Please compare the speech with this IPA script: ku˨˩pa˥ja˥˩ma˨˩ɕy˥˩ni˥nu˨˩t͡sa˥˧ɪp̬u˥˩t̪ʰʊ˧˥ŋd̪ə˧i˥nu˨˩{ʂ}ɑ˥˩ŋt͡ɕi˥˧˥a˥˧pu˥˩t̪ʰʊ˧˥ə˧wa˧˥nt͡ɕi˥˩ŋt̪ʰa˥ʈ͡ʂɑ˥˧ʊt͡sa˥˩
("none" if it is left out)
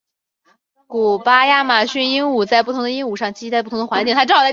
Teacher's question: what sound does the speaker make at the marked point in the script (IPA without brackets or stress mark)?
ʂ